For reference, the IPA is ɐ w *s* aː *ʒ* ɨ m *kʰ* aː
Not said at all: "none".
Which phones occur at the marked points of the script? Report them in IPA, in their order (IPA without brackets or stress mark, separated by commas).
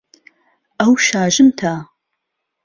ʃ, ʒ, tʰ